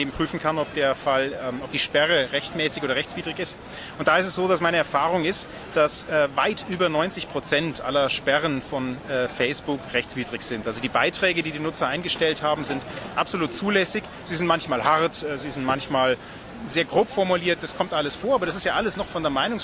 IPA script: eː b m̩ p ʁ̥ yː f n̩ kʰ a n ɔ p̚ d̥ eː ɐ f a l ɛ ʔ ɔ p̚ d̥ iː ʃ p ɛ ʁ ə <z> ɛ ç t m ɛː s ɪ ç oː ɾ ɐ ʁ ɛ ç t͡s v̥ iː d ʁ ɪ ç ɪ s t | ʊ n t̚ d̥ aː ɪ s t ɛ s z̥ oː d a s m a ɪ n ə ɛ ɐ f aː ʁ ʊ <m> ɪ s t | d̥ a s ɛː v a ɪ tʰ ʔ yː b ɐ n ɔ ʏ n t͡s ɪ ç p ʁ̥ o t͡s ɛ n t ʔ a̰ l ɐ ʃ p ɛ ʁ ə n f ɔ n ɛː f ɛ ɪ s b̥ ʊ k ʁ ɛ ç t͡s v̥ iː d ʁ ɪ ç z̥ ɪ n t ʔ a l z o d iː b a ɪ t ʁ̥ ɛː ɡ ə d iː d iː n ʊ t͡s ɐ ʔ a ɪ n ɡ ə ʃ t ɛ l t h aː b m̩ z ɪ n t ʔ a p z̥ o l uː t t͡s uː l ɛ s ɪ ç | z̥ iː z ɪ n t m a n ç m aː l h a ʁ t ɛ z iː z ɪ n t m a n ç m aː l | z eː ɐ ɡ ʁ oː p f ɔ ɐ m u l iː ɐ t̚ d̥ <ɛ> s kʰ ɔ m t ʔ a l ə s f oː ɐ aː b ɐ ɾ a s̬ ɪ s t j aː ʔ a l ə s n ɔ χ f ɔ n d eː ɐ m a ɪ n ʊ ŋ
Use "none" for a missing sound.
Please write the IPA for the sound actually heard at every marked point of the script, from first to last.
ʁ, ŋ, a

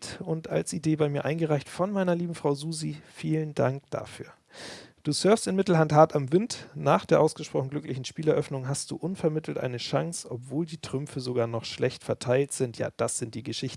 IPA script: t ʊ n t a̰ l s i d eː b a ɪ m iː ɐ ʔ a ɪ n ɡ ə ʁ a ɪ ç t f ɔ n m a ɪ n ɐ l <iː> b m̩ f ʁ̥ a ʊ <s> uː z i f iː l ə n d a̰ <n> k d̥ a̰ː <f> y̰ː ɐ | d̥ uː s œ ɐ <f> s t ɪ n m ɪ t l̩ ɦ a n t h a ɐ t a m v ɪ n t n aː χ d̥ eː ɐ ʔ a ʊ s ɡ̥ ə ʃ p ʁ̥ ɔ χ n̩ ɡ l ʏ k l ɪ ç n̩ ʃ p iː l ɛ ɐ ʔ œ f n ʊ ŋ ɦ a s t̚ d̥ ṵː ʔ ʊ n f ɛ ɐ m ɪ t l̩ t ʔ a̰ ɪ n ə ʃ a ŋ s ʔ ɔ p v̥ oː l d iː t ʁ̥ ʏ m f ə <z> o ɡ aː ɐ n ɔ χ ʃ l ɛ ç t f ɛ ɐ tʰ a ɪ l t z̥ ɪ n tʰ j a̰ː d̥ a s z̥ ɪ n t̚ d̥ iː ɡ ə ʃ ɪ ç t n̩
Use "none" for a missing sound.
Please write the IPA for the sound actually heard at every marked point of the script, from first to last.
iː, z, ŋ, f, f, z

